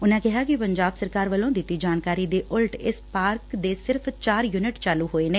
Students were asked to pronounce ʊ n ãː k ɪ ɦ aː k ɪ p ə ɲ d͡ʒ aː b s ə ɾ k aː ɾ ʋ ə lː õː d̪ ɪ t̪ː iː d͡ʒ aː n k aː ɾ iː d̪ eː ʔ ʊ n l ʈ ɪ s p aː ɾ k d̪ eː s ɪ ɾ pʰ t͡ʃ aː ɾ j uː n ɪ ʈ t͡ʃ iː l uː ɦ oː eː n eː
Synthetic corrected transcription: ʊ n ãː k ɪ ɦ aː k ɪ p ə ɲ d͡ʒ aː b s ə ɾ k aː ɾ ʋ ə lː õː d̪ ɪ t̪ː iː d͡ʒ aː n k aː ɾ iː d̪ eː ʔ ʊ l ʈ ɪ s p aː ɾ k d̪ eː s ɪ ɾ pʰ t͡ʃ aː ɾ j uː n ɪ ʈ t͡ʃ aː l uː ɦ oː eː n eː